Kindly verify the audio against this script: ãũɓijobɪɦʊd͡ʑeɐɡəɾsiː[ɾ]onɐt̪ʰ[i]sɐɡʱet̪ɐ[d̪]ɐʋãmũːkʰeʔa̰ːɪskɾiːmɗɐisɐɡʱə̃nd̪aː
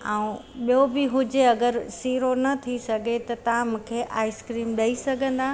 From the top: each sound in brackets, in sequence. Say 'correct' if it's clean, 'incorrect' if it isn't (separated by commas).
correct, correct, incorrect